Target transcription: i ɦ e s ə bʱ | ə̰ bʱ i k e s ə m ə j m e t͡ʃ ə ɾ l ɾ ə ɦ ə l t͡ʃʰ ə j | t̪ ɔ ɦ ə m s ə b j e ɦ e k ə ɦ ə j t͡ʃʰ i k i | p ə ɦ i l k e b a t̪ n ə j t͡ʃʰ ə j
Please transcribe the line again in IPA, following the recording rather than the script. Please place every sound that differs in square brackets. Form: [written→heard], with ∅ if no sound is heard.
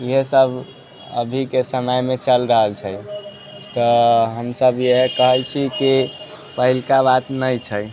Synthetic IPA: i ɦ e s ə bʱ | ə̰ bʱ i k e s ə m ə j m e t͡ʃ ə [ɾ→∅] l ɾ ə ɦ ə l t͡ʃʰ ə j | t̪ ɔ ɦ ə m s ə b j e ɦ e k ə ɦ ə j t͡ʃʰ i k i | p ə ɦ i l k [e→a] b a t̪ n ə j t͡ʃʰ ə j